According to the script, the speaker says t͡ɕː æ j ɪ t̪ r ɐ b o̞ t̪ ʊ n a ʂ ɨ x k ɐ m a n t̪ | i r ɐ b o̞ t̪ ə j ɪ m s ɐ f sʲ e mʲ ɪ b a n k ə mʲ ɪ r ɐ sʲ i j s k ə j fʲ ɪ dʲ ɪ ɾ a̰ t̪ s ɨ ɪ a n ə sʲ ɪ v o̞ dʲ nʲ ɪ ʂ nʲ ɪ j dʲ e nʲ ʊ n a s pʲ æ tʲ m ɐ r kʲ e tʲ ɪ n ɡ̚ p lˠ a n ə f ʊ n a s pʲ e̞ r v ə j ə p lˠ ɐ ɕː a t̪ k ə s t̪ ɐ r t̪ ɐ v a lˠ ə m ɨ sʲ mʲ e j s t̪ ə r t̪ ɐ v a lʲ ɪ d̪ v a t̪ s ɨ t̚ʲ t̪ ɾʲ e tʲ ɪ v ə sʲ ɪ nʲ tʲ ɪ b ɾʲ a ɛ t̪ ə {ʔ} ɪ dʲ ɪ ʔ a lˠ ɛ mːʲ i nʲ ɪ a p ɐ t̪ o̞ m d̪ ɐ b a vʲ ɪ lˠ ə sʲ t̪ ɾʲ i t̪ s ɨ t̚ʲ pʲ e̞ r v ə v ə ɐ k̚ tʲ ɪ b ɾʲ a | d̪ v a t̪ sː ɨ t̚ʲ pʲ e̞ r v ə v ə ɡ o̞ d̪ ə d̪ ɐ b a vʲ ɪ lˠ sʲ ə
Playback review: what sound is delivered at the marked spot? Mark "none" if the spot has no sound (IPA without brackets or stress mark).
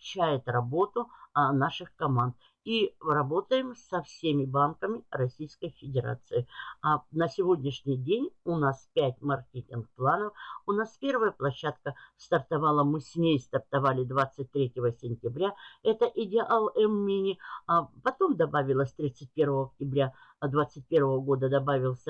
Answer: ʔ